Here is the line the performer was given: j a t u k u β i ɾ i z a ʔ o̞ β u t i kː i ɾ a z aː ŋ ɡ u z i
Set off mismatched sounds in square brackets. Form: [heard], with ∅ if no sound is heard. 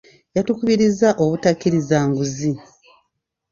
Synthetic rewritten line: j a t u k u β i ɾ i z a ʔ o̞ β u t [a] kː i ɾ [i] z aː ŋ ɡ u z i